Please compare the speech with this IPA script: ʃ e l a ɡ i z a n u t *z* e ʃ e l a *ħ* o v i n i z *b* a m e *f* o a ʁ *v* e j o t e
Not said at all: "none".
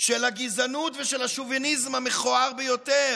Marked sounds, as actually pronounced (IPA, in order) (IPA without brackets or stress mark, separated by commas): v, ʃ, m, χ, b